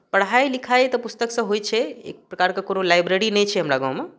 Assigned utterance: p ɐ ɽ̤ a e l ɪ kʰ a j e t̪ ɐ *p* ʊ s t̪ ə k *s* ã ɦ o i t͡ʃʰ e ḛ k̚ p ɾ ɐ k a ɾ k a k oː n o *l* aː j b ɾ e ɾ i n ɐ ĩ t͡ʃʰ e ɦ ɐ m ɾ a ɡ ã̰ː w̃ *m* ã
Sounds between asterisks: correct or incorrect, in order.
correct, correct, correct, correct

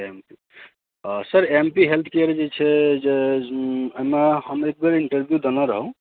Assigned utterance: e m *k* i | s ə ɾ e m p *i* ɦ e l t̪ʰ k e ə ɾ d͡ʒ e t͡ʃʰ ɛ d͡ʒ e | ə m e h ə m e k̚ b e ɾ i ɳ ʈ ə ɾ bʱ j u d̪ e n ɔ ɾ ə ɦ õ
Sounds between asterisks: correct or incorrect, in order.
incorrect: p, correct

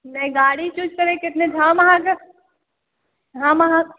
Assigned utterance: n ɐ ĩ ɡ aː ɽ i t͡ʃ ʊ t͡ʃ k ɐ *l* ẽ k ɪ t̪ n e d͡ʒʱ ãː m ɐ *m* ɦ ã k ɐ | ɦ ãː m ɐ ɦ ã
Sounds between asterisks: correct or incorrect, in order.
incorrect: ɾ, incorrect: none

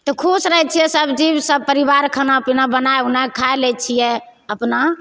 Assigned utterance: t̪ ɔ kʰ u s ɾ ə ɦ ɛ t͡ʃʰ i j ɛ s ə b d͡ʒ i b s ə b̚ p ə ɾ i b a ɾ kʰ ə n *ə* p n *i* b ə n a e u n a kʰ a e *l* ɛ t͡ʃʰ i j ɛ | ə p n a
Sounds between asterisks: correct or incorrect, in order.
incorrect: a, incorrect: a, correct

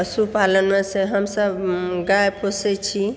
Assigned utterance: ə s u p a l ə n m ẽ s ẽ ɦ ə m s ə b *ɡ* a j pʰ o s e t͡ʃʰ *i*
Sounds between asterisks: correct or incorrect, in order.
correct, correct

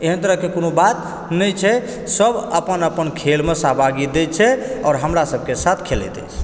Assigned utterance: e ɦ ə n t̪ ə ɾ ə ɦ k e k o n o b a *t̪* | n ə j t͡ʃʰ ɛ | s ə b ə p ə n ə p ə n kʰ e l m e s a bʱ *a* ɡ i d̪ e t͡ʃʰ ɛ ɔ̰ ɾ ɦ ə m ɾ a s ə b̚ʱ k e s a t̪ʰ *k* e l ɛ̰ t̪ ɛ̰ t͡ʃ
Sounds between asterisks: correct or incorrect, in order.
correct, correct, incorrect: kʰ

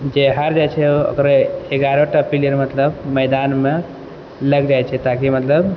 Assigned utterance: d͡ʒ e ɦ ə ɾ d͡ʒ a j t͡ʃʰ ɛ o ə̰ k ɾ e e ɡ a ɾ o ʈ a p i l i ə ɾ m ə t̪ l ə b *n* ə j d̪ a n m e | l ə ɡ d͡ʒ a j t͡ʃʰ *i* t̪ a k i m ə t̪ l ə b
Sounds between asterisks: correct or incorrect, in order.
incorrect: m, incorrect: ɛ

